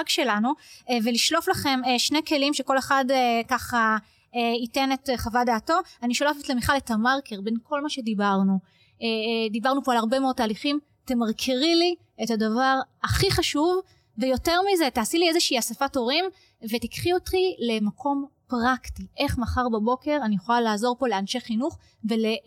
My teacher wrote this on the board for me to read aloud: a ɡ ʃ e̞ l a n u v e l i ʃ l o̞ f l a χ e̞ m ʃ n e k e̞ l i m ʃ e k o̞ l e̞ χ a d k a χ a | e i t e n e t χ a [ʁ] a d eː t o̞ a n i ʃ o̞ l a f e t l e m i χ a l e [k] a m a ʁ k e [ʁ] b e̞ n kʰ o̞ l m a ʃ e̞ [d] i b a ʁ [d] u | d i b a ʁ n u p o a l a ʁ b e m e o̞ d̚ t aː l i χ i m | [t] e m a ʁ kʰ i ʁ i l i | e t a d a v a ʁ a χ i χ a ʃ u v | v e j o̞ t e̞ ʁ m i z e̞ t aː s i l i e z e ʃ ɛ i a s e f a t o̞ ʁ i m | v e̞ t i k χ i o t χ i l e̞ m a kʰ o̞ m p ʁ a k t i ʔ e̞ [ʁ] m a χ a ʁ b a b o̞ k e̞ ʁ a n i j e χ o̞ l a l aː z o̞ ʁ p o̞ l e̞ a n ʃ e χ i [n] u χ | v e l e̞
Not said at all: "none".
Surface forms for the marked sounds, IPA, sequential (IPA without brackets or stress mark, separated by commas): v, t, ʁ, d, n, t, χ, n